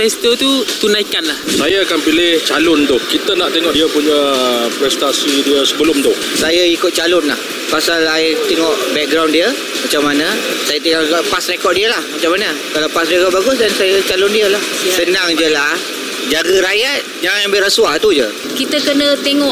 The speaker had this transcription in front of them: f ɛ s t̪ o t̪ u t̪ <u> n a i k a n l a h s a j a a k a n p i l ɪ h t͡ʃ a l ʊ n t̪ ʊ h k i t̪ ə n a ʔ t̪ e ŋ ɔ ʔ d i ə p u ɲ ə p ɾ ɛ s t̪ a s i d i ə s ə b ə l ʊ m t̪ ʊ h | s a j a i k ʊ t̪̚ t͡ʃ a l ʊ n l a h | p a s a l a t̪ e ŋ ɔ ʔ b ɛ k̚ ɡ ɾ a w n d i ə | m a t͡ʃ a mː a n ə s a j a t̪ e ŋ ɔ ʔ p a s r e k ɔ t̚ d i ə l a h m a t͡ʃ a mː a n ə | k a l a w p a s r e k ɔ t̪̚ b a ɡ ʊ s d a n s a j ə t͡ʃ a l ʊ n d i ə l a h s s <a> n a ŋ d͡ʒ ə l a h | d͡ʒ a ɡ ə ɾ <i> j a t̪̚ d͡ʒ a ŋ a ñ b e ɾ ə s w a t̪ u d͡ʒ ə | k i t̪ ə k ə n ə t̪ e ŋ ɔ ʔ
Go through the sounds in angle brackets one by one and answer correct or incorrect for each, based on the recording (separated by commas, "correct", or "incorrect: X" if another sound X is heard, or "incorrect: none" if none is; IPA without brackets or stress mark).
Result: correct, incorrect: ə, incorrect: a